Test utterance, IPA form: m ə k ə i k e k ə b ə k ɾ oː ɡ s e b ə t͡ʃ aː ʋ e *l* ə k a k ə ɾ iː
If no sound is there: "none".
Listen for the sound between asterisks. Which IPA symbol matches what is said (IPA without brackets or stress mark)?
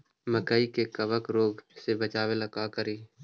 l